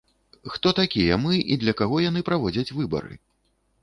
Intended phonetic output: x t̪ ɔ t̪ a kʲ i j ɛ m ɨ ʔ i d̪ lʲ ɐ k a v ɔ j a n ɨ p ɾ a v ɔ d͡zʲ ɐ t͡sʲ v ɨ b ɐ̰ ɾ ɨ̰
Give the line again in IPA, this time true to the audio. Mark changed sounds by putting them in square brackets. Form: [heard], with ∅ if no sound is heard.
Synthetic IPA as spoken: x t̪ ɔ t̪ a kʲ i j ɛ m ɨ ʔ i d̪ lʲ ɐ k a [ɣ] ɔ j a n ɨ p ɾ a v ɔ d͡zʲ ɐ t͡sʲ v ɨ b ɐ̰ ɾ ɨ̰